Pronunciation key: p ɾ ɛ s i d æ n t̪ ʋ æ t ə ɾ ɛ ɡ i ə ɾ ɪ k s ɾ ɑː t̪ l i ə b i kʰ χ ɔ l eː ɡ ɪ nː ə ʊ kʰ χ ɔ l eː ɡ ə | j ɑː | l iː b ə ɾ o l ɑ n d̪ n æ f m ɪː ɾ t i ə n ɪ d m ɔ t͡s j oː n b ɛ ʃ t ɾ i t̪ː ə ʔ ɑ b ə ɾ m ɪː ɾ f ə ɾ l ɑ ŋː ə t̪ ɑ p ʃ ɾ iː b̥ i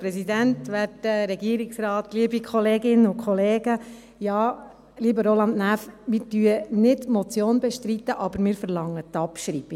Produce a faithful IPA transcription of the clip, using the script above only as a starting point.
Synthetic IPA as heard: p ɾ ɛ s i d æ n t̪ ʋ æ t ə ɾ ɛ ɡ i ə ɾ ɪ k s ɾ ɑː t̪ l i ə b i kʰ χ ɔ l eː ɡ ɪ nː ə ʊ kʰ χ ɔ l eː ɡ ə | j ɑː | l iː b ə ɾ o l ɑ n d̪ n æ f m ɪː ɾ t y ə n ɪ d m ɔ t͡s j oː n b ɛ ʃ t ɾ i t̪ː ə ʔ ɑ b ə ɾ m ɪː ɾ f ə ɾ l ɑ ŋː ə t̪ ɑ p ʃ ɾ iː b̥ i